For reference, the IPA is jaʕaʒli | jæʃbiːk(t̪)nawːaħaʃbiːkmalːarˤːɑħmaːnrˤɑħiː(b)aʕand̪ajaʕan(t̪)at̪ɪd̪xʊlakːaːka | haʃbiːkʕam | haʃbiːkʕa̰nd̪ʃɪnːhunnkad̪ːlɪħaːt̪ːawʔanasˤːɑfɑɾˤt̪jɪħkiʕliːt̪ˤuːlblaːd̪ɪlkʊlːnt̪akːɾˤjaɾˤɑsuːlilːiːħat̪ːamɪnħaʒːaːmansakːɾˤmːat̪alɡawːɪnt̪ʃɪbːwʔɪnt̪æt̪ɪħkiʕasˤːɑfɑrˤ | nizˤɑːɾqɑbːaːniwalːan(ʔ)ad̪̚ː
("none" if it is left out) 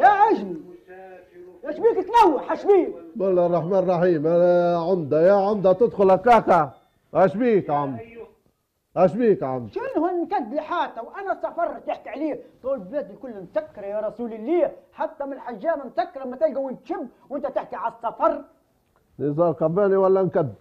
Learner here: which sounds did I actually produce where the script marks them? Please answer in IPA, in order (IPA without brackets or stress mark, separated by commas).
t̪, m, d̪, k